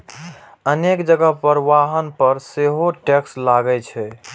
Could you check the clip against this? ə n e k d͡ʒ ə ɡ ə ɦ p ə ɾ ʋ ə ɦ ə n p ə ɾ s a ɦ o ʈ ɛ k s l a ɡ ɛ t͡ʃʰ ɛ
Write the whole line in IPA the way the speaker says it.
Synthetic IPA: ə n e k d͡ʒ ə ɡ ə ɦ p ə ɾ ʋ a ɦ ə n p ə ɾ s e ɦ o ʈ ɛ k s l a ɡ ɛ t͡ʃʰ ɛ

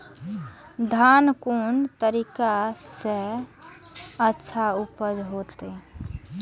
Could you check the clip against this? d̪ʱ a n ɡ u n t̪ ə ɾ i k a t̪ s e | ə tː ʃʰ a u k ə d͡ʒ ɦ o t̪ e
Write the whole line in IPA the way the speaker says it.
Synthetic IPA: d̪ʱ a n k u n t̪ ə ɾ i k a s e | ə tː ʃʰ a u p ə d͡ʒ ɦ o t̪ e

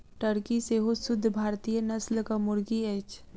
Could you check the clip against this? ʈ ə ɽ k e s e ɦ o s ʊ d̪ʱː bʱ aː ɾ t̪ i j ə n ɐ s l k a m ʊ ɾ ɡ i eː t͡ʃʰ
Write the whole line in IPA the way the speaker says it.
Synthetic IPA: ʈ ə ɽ k i s e ɦ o s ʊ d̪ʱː bʱ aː ɾ t̪ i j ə n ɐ s l k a m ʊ ɾ ɡ i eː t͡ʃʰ

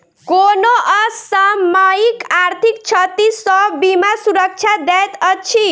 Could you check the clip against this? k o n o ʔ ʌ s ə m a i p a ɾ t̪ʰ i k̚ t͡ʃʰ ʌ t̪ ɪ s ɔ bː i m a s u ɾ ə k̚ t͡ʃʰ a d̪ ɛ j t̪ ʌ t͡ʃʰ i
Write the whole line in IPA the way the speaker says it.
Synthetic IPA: k o n o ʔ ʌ s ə m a i k a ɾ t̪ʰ i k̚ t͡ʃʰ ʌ t̪ i s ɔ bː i m a s u ɾ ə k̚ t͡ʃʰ a d̪ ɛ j t̪ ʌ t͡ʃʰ i

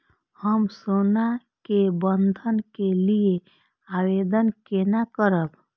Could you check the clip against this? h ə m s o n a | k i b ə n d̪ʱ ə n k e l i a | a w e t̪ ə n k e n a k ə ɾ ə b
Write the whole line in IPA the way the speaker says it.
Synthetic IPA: h ə m s o n a | k e b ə n d̪ʱ ə n k e l i e | a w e d̪ ə n k e n a k ə ɾ ə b

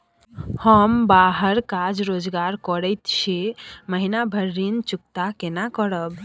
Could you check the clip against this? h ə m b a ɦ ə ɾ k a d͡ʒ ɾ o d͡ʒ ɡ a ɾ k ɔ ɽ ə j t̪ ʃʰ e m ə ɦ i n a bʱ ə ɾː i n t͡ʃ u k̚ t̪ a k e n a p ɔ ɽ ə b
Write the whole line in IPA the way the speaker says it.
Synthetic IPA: h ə m b a ɦ ə ɾ k a d͡ʒ ɾ o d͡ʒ ɡ a ɾ k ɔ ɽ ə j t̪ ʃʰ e m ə ɦ i n a bʱ ə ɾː i n t͡ʃ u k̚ t̪ a k e n a k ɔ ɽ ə b

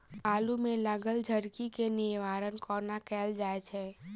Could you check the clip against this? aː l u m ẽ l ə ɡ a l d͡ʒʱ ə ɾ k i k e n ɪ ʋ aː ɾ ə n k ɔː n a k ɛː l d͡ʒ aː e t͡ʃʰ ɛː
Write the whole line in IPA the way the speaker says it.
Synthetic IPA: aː l u m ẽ l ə ɡ ə l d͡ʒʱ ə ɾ k i k e n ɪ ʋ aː ɾ ə n k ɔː n a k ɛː l d͡ʒ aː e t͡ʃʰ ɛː

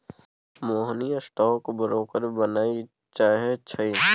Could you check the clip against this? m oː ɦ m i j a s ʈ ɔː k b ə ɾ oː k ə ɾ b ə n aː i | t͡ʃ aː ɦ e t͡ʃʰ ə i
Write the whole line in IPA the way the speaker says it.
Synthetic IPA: m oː ɦ n i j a s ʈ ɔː k b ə ɾ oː k ə ɾ b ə n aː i | t͡ʃ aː ɦ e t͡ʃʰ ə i

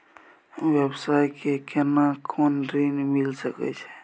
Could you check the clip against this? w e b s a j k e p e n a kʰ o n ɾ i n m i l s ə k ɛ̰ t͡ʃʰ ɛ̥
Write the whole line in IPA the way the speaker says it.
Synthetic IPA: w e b s a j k e k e n a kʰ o n ɾ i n m i l s ə k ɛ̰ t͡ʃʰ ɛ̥

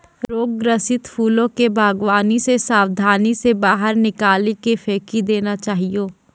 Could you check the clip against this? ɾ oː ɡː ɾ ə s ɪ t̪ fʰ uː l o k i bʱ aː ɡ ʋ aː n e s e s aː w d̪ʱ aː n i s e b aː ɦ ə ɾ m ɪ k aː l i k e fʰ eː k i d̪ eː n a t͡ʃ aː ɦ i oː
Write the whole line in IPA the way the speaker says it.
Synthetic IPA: ɾ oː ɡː ɾ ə s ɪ t̪ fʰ uː l õ k e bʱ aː ɡ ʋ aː n i s e s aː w d̪ʱ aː n i s e b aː ɦ ə ɾ n ɪ k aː l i k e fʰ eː k i d̪ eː n a t͡ʃ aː ɦ i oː

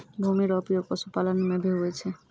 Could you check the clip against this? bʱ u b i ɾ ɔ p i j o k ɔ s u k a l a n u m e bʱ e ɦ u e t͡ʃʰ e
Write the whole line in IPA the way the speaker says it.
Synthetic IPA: bʱ u m i ɾ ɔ p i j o k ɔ s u p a l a n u m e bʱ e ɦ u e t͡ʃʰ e

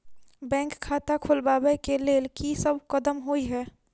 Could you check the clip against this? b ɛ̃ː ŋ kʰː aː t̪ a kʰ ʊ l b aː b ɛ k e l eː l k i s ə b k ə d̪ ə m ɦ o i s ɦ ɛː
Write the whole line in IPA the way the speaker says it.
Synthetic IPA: b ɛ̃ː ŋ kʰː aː t̪ a kʰ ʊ l b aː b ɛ k e l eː l k i s ə b k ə d̪ ə m ɦ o i ɦ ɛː

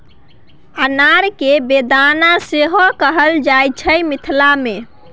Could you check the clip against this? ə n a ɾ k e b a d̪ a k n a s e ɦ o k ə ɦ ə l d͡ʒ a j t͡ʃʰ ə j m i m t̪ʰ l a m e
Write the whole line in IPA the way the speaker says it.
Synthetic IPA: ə n a ɾ k e b e d̪ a n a s e ɦ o k ə ɦ ə l d͡ʒ a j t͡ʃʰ ə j m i t̪ʰ l a m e

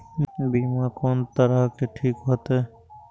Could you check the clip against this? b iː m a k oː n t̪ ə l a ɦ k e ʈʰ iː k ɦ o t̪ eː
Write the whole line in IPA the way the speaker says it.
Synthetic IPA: b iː m a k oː n t̪ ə ɾ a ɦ k e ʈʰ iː k ɦ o t̪ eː

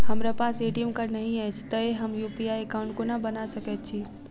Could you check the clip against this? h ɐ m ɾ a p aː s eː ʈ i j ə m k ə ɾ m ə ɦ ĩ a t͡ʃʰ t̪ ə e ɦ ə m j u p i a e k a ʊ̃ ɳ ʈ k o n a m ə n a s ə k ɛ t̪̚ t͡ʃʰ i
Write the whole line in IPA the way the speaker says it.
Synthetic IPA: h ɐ m ɾ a p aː s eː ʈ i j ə m k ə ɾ n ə ɦ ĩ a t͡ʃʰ t̪ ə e ɦ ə m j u p i a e k a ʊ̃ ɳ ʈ k o n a b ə n a s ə k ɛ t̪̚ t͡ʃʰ i

